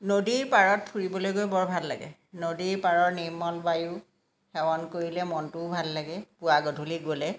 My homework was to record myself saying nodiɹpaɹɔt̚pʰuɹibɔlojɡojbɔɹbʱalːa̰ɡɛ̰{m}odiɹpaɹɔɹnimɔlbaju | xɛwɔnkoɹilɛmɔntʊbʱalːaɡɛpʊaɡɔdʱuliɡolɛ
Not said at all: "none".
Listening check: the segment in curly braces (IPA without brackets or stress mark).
n